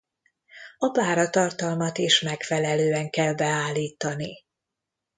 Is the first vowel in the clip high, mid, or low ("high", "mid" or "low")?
low